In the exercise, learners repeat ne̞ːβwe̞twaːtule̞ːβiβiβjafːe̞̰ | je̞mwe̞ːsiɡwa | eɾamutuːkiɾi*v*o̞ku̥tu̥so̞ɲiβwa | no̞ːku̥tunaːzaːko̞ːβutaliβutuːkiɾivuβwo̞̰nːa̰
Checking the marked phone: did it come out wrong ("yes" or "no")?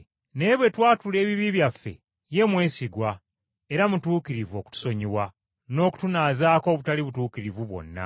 no